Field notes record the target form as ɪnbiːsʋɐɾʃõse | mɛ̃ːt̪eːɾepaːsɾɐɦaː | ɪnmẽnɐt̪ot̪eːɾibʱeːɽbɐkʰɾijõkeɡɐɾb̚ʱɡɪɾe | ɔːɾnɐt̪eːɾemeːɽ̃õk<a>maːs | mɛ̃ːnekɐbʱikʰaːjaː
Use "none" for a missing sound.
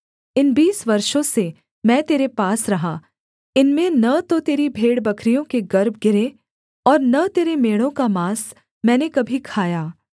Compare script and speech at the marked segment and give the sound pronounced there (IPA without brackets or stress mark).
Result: a